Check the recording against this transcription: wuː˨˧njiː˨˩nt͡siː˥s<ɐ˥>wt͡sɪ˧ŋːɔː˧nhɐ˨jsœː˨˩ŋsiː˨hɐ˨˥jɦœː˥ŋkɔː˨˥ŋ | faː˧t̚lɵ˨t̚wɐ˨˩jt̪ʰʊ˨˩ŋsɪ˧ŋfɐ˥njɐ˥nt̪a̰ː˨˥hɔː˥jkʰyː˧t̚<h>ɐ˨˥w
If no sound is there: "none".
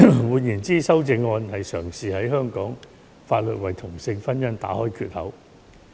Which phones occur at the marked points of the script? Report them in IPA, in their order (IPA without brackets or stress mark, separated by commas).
ɐ˥, h